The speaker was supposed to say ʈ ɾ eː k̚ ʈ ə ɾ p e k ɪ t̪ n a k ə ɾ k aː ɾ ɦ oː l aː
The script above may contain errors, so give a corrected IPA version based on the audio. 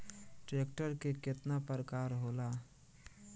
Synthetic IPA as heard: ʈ ɾ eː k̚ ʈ ə ɾ k e k ɪ t̪ n a p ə ɾ k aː ɾ ɦ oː l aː